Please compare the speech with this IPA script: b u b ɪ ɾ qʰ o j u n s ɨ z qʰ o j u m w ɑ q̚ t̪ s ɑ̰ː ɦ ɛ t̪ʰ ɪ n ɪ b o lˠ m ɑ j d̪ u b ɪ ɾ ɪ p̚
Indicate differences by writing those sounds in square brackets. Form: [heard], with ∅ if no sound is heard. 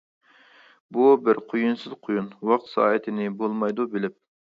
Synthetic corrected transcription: b u b ɪ ɾ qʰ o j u n s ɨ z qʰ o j u [n] w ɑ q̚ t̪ s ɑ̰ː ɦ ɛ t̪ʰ ɪ n ɪ b o lˠ m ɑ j d̪ u b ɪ [l] ɪ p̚

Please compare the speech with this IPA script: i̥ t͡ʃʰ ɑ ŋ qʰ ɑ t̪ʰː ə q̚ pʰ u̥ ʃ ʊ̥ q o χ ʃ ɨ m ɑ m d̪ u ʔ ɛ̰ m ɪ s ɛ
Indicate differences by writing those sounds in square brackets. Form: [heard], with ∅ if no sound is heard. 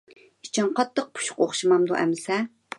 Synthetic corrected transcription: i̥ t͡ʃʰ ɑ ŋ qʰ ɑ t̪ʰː ə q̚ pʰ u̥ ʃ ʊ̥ q o χ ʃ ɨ m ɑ m d̪ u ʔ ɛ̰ m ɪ s ɛ

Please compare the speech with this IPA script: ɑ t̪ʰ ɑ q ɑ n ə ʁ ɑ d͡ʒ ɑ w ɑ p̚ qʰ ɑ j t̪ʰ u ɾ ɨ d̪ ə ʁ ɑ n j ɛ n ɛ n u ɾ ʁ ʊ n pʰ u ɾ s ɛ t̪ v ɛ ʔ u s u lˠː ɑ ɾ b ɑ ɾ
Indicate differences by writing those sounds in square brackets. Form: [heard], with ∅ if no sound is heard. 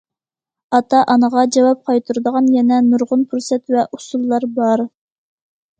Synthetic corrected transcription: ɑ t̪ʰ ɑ [ʔ] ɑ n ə ʁ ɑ d͡ʒ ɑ w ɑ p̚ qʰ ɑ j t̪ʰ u ɾ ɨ d̪ ə ʁ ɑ n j ɛ n ɛ n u ɾ ʁ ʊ n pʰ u ɾ s ɛ t̪ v ɛ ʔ u s u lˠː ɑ ɾ b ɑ ɾ

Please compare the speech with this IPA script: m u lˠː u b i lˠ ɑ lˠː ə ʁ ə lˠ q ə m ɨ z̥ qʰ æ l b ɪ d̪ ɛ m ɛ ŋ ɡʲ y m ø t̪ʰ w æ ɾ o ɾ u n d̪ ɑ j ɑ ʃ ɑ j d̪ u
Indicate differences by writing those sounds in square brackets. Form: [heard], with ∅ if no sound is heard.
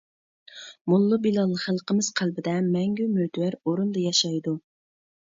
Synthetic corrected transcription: m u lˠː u b i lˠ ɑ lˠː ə [χ] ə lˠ q ə m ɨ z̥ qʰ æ l b ɪ d̪ ɛ m ɛ ŋ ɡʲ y m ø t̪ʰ w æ ɾ o ɾ u n d̪ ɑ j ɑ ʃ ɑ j d̪ u

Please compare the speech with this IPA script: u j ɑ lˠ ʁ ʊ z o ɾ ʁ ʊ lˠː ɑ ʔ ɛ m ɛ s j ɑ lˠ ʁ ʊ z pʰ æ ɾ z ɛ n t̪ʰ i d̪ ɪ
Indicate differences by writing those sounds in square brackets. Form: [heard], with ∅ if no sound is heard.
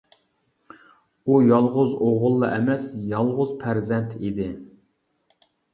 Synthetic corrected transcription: u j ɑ lˠ ʁ ʊ z o [∅] ʁ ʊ lˠː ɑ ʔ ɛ m ɛ s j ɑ lˠ ʁ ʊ z pʰ æ ɾ z ɛ n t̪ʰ i d̪ ɪ

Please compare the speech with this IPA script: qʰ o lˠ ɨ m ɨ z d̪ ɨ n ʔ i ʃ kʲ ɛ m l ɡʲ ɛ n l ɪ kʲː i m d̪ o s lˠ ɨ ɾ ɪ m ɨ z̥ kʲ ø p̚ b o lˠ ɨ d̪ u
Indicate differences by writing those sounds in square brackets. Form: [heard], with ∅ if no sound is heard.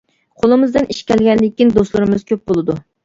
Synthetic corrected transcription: qʰ o lˠ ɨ m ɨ z d̪ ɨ n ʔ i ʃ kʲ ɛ [∅] l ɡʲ ɛ n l ɪ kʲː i [n] d̪ o s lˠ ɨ ɾ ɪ m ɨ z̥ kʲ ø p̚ b o lˠ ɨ d̪ u

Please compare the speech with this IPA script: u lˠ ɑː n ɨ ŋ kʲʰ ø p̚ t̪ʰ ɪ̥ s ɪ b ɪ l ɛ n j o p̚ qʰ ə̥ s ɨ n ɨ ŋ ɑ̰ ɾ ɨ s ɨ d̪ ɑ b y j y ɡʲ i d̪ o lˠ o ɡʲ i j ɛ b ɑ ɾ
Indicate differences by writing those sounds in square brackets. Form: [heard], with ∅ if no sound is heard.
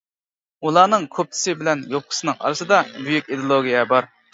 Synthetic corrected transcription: u lˠ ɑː n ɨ ŋ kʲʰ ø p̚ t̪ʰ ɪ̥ s ɪ b ɪ l ɛ n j o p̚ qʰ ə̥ s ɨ n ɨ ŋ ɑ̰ ɾ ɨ s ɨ d̪ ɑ b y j y [kʲ] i d̪ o lˠ o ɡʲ i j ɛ b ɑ ɾ

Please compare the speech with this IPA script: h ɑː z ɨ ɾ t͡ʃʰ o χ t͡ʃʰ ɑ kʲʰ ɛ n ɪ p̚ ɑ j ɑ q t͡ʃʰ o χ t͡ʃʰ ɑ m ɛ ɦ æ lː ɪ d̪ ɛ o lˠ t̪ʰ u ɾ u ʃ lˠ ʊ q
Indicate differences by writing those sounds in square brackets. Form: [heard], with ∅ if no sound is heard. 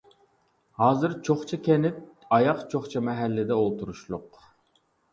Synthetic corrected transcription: h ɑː z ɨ ɾ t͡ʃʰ o χ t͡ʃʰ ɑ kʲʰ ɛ n ɪ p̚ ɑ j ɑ q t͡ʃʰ o χ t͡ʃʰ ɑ m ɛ ɦ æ lː ɪ d̪ ɛ o lˠ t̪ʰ u ɾ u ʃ lˠ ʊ q

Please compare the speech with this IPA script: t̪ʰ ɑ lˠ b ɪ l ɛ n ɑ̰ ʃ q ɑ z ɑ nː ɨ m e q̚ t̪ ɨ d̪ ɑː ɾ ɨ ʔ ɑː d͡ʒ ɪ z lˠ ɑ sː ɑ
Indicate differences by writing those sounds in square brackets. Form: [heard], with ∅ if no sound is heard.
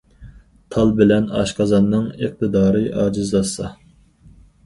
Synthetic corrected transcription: t̪ʰ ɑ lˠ b ɪ l ɛ n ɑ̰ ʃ q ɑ z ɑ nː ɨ [ŋ] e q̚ t̪ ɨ d̪ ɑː ɾ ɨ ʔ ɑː d͡ʒ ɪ z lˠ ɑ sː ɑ

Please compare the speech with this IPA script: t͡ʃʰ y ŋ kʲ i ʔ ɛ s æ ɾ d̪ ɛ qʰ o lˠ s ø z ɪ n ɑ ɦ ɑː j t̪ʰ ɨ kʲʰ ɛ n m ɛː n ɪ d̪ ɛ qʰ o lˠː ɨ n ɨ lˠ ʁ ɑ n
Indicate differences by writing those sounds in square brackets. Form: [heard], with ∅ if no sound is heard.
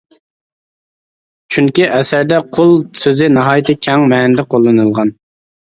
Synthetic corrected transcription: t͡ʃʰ y ŋ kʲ i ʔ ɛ s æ ɾ d̪ ɛ qʰ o lˠ s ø z ɪ n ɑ ɦ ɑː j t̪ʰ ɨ kʲʰ ɛ [ŋ] m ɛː n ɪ d̪ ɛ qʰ o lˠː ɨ n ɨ lˠ ʁ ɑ n

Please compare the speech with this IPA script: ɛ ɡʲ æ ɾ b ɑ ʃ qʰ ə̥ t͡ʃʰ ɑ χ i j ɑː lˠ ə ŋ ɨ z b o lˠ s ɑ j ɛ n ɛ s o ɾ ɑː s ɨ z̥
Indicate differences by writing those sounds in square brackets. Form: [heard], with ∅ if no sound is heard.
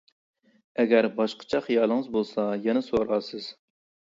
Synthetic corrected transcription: ɛ ɡʲ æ ɾ b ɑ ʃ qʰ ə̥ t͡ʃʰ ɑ χ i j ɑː lˠ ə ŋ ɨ z b o lˠ s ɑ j ɛ n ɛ s o ɾ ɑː s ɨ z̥

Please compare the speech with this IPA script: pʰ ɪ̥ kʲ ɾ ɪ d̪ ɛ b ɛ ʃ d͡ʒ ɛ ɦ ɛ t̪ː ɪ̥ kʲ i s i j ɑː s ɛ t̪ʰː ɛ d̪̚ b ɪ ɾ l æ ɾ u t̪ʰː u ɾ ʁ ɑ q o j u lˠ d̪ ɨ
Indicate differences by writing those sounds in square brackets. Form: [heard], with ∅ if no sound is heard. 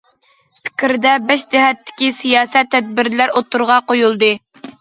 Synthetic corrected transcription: pʰ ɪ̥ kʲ ɾ ɪ d̪ ɛ b ɛ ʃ d͡ʒ ɛ ɦ ɛ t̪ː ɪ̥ kʲ i s i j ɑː s ɛ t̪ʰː ɛ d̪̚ b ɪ ɾ l æ ɾ [o] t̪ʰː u ɾ ʁ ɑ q o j u lˠ d̪ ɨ

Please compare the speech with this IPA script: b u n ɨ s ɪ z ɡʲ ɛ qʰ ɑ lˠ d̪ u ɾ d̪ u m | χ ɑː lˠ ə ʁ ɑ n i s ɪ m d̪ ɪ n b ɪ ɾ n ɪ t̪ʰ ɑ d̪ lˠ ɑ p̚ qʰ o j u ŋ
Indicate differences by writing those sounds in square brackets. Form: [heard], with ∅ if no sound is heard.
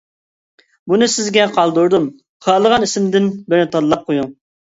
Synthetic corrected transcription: b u n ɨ s ɪ z ɡʲ ɛ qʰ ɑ lˠ d̪ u ɾ d̪ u m | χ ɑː lˠ ə ʁ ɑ n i s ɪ m d̪ ɪ n b ɪ ɾ n ɪ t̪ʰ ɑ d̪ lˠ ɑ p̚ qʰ o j u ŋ

